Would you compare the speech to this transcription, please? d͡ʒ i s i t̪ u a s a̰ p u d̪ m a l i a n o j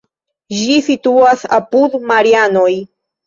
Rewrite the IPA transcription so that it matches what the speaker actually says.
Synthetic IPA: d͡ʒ i s i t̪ u a s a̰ p u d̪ m a ɾ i a n o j